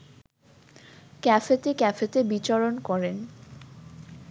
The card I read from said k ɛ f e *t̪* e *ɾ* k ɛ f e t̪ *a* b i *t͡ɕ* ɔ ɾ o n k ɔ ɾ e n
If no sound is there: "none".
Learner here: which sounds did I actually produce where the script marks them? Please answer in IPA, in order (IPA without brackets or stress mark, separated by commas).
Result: t̪, none, e, t͡ɕ